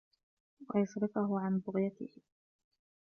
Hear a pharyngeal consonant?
yes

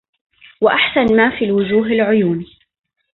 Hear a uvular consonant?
no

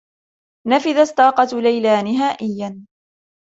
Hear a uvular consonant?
yes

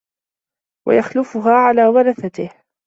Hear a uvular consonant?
no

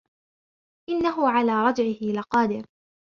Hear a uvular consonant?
yes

